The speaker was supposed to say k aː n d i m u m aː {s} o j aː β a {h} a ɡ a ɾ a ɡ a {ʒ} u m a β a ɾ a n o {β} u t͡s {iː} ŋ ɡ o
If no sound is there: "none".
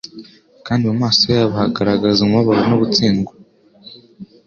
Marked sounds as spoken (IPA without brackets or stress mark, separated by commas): s, h, z, β, iː